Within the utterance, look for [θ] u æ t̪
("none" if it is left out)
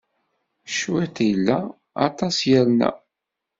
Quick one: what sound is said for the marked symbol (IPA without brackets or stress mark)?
ʃ